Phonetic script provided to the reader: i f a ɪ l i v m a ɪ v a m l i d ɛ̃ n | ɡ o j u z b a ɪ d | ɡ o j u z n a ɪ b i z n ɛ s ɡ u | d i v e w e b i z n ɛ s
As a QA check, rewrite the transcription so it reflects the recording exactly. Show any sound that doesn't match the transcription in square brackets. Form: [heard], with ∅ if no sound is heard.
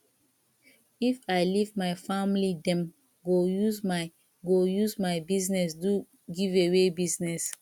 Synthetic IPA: i f a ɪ l i v m a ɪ [f] a m l i d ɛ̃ [m] | ɡ o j u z [m] a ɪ [∅] | ɡ o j u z [m] a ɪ b i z n ɛ s [d] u | [ɡ] i v e w e b i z n ɛ s